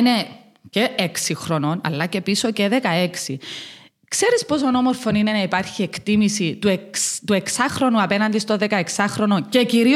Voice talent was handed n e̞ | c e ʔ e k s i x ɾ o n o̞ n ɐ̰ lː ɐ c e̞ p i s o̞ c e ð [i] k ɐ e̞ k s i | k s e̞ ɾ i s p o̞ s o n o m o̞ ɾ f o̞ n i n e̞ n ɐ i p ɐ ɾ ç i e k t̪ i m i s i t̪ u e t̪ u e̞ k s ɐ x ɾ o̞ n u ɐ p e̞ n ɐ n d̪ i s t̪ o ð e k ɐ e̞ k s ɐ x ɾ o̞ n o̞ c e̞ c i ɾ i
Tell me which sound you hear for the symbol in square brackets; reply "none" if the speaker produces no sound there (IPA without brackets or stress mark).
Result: e